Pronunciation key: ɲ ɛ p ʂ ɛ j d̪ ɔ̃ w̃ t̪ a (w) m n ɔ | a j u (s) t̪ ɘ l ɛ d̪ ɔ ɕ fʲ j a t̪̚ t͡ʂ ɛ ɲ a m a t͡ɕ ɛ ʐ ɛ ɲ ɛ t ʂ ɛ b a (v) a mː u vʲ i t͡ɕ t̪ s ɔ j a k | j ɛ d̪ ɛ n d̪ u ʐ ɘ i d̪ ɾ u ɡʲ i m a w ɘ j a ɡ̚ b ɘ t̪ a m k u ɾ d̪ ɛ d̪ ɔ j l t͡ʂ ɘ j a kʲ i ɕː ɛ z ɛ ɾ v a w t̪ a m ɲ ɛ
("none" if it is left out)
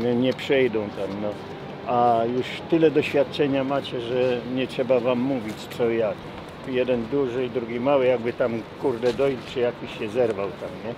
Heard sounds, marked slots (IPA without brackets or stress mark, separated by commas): none, ʂ, v